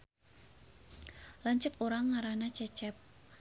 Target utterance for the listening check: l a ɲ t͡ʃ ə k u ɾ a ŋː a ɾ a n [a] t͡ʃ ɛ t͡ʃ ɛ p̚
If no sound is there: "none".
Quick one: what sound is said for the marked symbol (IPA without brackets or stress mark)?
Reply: a